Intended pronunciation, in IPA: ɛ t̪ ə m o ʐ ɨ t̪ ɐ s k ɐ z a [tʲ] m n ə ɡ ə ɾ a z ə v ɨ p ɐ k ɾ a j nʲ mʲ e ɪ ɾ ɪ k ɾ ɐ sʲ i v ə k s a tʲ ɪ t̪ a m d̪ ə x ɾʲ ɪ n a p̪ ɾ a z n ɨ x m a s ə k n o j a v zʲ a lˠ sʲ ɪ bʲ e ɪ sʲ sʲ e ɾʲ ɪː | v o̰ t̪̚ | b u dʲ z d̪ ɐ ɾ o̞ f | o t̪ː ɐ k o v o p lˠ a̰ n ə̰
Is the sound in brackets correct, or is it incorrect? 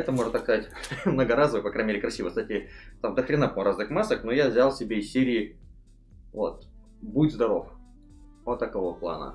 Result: correct